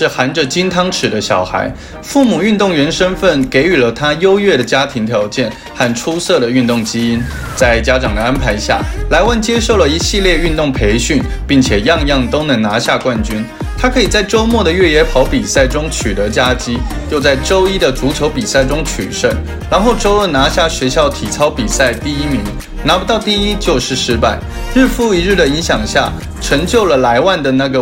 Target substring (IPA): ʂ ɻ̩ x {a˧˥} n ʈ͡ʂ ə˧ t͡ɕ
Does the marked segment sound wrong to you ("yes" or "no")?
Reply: no